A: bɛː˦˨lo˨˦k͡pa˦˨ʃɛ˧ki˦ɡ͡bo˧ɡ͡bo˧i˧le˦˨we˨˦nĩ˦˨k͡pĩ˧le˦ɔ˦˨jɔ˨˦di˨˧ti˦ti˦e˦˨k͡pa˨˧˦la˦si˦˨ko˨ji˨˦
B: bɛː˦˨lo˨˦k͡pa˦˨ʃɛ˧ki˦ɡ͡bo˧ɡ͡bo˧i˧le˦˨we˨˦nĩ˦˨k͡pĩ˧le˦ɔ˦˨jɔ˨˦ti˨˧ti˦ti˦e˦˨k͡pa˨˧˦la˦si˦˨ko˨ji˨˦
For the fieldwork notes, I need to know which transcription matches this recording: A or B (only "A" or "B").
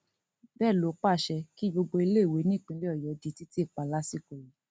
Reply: A